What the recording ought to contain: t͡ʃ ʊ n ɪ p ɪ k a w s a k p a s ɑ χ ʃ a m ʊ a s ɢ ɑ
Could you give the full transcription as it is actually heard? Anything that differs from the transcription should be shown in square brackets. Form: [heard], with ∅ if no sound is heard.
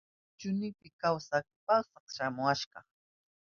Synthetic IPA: t͡ʃ ʊ n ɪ p ɪ k a w s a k p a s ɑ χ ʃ a m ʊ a [ʃ] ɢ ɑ